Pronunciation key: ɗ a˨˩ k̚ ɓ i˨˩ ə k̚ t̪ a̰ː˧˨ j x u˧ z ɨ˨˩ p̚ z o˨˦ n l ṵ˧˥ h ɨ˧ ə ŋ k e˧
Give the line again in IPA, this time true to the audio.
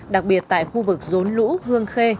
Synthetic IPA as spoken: ɗ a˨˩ k̚ ɓ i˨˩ ə t̚ t̪ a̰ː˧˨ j x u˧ v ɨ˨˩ k̚ z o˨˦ n l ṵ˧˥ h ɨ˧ ə ŋ x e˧